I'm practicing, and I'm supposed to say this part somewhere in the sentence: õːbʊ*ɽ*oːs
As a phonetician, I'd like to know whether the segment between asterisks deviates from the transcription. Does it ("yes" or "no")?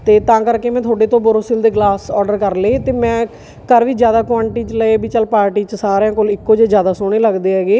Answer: yes